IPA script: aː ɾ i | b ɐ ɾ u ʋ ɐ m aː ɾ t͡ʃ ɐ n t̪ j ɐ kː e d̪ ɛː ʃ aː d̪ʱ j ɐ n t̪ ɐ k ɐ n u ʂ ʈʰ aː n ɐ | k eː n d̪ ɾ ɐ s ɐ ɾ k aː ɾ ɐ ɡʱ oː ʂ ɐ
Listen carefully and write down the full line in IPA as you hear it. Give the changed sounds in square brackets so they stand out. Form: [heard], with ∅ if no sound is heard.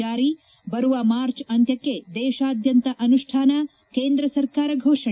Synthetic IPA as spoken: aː ɾ i | b ɐ ɾ u ʋ ɐ m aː ɾ t͡ʃ ɐ n t̪ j ɐ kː e d̪ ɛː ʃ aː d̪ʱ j ɐ n t̪ ɐ [ʔ] ɐ n u ʂ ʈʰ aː n ɐ | k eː n d̪ ɾ ɐ s ɐ ɾ k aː ɾ ɐ ɡʱ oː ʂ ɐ